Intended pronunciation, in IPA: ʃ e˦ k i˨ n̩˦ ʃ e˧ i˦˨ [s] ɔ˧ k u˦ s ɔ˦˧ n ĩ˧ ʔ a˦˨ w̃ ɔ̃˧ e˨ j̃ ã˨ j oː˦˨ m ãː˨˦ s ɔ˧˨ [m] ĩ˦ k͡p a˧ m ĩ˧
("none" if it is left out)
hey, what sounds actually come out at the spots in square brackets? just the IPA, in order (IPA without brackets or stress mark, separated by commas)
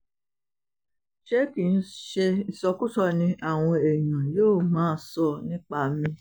s, n